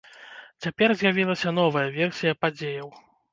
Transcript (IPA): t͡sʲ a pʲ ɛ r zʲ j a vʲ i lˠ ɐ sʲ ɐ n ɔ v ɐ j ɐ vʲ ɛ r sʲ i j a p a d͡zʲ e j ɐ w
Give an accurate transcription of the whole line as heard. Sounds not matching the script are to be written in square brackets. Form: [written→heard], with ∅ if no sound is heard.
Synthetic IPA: t͡sʲ a pʲ ɛ r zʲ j a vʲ i lˠ ɐ sʲ ɐ n ɔ v ɐ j ɐ vʲ ɛ r sʲ i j [a→ɐ] p a d͡zʲ e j ɐ w